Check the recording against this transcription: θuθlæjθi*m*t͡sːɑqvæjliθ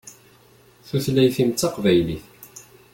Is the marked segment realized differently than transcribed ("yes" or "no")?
no